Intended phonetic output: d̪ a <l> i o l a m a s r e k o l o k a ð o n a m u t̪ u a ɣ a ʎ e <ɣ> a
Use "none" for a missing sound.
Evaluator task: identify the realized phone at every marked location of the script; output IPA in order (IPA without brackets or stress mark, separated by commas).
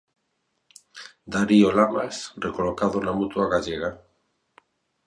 ɾ, ɣ